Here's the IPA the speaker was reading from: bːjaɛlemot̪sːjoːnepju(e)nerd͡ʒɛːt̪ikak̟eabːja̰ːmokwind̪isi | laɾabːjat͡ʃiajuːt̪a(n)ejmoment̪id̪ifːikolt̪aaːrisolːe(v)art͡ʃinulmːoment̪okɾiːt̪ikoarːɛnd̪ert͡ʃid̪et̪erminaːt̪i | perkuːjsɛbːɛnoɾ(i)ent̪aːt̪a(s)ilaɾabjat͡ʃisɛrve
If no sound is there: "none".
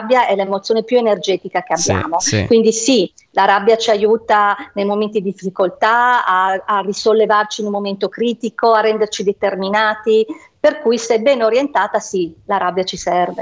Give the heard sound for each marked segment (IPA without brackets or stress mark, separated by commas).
e, n, v, j, s